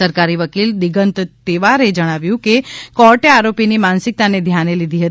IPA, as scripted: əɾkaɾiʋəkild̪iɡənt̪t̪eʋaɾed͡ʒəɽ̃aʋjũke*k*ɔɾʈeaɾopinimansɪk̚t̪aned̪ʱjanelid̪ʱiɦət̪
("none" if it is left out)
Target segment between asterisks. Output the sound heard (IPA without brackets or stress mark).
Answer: k